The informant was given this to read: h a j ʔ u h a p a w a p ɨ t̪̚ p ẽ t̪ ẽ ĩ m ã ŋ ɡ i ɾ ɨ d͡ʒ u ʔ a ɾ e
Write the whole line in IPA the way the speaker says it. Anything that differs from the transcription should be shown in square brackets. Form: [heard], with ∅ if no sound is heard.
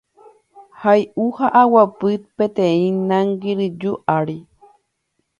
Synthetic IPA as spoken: h a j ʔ u h a [ʔ] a w a p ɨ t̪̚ p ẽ t̪ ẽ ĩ [n] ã ŋ ɡ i ɾ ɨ d͡ʒ u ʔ a ɾ [i]